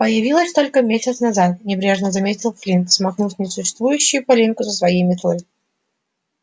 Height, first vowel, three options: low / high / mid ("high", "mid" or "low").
mid